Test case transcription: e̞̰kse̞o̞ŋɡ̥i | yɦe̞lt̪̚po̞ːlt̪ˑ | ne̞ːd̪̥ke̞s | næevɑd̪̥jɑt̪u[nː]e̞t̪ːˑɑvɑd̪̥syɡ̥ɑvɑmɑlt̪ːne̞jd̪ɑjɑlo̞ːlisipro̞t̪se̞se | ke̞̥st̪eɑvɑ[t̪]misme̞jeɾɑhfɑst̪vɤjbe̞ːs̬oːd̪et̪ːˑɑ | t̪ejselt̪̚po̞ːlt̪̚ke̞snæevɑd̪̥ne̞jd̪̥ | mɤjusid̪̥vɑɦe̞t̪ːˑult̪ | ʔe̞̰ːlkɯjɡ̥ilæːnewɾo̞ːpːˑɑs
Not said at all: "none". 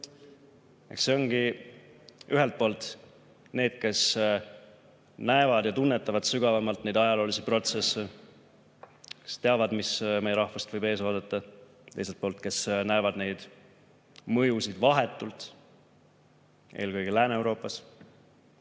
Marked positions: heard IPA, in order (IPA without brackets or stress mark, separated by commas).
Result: nː, d̪